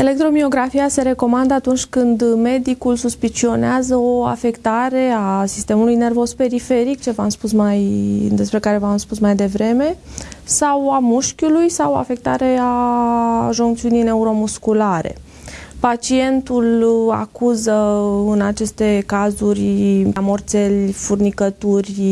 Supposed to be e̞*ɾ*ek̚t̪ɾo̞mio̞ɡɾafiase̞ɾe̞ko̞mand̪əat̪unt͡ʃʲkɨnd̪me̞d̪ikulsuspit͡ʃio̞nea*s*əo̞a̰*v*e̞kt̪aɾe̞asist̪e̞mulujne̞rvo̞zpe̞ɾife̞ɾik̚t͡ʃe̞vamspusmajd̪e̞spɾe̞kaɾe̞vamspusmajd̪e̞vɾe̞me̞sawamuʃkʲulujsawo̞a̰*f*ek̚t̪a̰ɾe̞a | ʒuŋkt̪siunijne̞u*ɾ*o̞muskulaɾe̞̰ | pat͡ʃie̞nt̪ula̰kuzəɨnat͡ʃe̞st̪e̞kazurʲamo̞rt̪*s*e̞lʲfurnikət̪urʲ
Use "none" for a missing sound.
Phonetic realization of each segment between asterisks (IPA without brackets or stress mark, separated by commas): l, z, f, f, ɾ, s